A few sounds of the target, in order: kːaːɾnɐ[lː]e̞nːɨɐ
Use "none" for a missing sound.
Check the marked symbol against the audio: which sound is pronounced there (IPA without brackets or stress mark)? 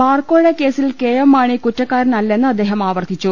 lː